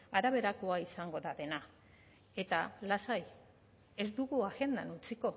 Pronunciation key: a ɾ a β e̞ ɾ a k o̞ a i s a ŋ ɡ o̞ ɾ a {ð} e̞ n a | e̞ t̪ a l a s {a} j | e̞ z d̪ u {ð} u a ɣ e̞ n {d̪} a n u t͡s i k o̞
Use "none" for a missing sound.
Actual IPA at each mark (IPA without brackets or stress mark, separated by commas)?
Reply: ð, a, ɣ, d̪